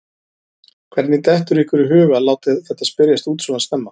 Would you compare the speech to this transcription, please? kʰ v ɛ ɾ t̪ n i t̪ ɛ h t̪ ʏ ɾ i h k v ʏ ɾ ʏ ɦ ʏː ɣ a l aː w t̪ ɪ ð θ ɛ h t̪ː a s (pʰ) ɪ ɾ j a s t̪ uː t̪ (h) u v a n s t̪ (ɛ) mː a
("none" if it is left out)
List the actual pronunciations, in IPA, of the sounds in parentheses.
p, s, ɛ

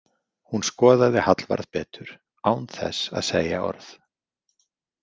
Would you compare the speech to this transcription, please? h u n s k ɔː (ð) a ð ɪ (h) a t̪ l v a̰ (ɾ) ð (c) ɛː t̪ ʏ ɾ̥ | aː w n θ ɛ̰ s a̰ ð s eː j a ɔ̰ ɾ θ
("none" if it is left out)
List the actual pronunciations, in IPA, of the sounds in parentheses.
ð, h, ɾ, p

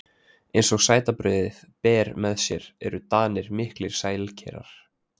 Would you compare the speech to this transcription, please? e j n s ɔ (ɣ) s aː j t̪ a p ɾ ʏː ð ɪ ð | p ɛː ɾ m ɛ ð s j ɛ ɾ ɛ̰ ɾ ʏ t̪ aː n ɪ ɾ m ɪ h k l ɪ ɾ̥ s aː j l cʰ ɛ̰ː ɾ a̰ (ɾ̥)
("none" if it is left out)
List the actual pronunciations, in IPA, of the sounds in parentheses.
ɣ, ɾ̥

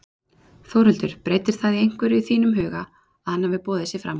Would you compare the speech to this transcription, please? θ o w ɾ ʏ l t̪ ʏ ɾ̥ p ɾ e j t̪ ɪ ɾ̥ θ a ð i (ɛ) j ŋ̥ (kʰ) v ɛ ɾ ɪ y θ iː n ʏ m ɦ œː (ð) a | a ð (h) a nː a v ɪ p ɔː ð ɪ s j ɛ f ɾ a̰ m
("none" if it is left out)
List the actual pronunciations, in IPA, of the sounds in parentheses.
e, k, ɣ, h

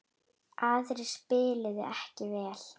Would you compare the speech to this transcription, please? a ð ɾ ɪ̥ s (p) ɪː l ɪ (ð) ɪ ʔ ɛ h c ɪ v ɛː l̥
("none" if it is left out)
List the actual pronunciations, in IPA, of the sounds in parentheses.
p, ð

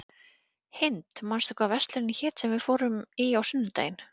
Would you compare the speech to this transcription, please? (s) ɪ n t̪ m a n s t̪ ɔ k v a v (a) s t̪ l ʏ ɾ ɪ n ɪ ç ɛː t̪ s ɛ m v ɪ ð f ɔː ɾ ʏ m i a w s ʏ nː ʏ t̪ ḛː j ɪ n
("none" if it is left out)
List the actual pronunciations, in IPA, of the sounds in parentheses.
h, ɛ

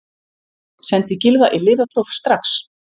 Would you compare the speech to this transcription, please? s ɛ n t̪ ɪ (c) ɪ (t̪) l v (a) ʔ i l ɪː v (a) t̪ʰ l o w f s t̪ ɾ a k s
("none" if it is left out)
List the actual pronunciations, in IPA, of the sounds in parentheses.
c, none, a, a

